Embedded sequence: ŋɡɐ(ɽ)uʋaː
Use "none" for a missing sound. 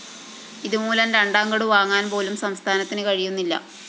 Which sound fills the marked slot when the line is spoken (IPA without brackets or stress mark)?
ɽ